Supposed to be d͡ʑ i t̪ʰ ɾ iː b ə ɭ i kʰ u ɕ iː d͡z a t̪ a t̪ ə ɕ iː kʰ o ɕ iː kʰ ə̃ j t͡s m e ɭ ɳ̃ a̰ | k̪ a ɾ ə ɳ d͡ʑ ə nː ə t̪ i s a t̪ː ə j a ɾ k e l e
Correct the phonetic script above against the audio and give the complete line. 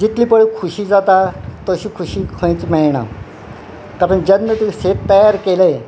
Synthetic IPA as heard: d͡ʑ i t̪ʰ l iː p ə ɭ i kʰ u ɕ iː d͡z a t̪ a t̪ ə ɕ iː kʰ u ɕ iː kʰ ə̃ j t͡s m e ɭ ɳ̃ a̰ | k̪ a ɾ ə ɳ d͡ʑ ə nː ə t̪ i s e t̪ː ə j a ɾ k e l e

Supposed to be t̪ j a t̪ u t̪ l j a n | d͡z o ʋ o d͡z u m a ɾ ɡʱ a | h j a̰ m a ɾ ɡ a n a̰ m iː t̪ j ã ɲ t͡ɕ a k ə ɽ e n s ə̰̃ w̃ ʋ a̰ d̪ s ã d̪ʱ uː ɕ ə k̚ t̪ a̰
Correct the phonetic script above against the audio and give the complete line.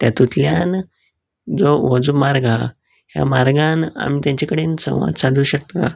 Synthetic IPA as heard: t̪ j a t̪ u t̪ l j a n | d͡z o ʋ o d͡z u m a ɾ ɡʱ a | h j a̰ m a ɾ ɡ a n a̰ m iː t̪ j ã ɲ t͡ɕ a k ə ɽ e n s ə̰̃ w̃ ʋ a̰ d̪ s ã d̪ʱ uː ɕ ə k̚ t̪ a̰

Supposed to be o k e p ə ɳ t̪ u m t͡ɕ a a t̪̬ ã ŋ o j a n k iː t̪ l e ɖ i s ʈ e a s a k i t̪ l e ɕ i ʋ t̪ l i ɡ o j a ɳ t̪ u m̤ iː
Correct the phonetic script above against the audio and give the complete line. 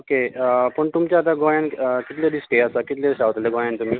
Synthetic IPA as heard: o k e p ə ɳ t̪ u m t͡ɕ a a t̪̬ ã ɡ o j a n k i t̪ l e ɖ i s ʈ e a s a k i t̪ l e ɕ a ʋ t̪ l e ɡ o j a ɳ t̪ u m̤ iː

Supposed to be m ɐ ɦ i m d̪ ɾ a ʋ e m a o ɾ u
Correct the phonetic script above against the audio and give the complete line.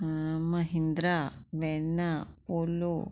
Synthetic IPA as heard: m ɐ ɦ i n d̪ ɾ a ʋ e n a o l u

